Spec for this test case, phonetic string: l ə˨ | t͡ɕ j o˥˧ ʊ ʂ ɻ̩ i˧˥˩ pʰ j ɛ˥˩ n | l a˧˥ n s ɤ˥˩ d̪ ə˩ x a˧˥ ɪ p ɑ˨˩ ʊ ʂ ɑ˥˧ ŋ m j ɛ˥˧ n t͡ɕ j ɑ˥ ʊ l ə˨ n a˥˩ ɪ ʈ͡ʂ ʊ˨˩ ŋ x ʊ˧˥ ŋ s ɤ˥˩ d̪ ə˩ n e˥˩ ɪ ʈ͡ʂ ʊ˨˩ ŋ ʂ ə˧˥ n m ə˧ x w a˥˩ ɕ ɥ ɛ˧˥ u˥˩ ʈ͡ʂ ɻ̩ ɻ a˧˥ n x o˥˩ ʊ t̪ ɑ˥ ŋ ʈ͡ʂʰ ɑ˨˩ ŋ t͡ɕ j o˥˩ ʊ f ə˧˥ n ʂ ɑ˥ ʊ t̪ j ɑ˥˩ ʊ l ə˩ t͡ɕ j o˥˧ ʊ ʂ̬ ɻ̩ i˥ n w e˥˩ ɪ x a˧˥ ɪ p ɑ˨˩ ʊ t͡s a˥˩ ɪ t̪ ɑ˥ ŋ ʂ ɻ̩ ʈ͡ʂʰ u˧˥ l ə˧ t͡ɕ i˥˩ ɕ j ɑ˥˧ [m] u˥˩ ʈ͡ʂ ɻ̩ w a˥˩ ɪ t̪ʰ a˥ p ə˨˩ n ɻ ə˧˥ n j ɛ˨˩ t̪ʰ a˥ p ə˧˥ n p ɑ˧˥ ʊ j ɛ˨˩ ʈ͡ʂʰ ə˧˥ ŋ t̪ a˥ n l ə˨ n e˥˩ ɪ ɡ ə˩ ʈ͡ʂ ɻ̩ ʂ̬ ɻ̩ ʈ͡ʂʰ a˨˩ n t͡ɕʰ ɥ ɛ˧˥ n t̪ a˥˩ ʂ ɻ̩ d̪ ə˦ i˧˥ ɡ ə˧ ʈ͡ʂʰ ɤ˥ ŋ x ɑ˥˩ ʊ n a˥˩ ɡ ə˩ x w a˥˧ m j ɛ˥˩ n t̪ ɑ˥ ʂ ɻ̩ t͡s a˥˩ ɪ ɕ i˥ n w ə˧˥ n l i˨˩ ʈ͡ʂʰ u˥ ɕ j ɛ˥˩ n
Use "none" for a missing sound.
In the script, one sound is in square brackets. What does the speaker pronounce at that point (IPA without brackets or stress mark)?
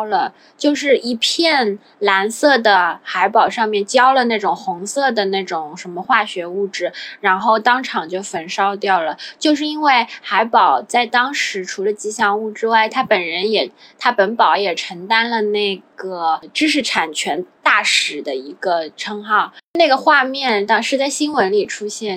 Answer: ŋ